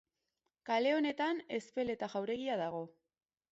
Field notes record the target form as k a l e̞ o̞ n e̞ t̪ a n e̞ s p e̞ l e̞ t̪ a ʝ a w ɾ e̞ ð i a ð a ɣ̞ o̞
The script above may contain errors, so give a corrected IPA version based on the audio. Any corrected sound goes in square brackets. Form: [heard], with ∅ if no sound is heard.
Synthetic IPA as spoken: k a l e̞ o̞ n e̞ t̪ a n e̞ s p e̞ l e̞ t̪ a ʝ a w ɾ e̞ [ɣ] i a ð a ɣ̞ o̞